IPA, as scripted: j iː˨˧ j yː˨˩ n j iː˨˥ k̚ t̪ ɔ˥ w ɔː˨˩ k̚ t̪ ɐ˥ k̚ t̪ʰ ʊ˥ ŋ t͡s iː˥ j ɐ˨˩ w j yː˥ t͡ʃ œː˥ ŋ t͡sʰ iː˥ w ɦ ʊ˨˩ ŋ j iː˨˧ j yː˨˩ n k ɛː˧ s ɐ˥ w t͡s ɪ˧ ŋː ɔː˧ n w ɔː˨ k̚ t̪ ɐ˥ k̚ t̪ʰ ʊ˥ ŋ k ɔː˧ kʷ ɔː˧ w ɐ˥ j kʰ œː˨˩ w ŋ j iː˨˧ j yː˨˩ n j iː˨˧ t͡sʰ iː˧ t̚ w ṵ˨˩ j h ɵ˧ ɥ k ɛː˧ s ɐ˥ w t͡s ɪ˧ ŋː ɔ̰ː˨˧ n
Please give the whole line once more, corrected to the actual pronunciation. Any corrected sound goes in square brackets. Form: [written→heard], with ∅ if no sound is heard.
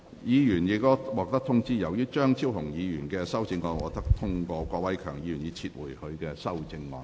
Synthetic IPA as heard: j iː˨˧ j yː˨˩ n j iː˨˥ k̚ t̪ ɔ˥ w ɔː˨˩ k̚ t̪ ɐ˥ k̚ t̪ʰ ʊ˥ ŋ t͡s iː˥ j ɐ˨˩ w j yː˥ t͡ʃ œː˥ ŋ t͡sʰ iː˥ w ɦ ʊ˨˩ ŋ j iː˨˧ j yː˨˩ n k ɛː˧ s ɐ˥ w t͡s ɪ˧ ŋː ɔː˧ n w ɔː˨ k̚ t̪ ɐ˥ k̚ t̪ʰ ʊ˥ ŋ k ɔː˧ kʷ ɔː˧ w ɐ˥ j kʰ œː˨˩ [w→∅] ŋ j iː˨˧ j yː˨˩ n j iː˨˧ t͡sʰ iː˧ t̚ w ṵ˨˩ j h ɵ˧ ɥ k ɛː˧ s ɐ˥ w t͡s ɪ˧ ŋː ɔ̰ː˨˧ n